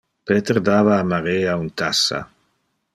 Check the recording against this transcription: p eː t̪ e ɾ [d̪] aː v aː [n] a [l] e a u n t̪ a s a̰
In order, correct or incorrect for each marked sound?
correct, incorrect: m, incorrect: ɾ

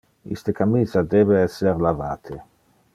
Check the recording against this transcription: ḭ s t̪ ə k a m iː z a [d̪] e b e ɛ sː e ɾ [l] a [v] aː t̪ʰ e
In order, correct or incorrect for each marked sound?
correct, correct, correct

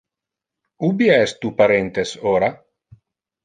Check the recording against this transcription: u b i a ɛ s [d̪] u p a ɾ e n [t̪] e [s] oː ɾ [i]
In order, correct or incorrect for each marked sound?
incorrect: t̪, correct, correct, incorrect: a

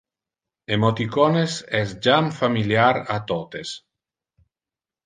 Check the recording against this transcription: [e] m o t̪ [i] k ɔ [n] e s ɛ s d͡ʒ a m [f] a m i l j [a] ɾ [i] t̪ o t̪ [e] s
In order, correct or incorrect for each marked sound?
correct, correct, correct, correct, correct, incorrect: a, correct

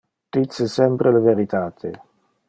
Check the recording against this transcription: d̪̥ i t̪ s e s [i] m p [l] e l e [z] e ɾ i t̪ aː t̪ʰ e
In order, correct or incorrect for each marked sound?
incorrect: ɛ, incorrect: ɾ, incorrect: v

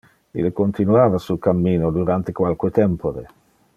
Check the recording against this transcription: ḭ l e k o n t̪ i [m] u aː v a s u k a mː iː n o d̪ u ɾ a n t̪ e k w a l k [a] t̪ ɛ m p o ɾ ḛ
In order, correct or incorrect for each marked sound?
incorrect: n, incorrect: e

